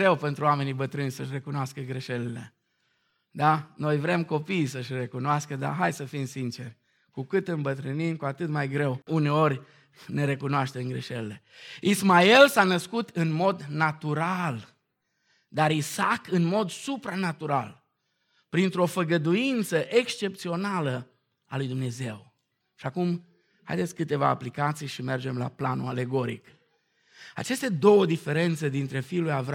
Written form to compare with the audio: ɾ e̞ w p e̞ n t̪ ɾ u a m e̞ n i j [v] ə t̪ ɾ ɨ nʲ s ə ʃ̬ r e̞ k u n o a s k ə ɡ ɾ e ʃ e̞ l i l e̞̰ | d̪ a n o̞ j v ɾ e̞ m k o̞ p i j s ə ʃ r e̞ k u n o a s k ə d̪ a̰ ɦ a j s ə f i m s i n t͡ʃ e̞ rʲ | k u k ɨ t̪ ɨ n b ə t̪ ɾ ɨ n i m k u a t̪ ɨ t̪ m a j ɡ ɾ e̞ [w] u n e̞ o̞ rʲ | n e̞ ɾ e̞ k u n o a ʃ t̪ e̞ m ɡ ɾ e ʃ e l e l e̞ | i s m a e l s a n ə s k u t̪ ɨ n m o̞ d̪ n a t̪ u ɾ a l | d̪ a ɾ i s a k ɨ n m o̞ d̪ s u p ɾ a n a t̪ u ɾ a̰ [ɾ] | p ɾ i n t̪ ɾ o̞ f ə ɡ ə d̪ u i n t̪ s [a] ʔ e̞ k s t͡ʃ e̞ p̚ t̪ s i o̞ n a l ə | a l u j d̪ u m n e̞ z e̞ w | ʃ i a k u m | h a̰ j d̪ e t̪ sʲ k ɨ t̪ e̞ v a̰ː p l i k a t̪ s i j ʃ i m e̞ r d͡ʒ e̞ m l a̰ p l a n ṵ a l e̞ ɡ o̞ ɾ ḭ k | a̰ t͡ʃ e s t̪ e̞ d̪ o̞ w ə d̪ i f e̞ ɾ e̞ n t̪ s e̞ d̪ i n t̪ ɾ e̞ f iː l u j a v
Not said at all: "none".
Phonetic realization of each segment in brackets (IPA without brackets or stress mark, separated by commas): b, w, l, ə